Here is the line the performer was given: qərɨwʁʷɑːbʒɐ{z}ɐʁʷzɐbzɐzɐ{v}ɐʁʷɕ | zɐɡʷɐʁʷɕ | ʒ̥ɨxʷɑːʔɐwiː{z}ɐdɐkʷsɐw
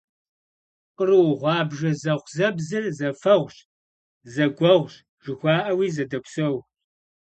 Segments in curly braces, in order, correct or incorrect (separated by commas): correct, incorrect, correct